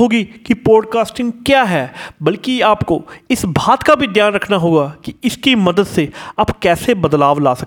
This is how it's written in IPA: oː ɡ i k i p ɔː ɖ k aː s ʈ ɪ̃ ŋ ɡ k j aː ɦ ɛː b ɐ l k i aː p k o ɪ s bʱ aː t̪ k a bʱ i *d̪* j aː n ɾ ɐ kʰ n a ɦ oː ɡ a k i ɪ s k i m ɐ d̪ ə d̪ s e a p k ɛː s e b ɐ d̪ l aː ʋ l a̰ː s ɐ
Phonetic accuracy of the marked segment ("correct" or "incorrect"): correct